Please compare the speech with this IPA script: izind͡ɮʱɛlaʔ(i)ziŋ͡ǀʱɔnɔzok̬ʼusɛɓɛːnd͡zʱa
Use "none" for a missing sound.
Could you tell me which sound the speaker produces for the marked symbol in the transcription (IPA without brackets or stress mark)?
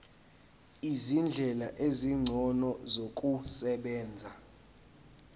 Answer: e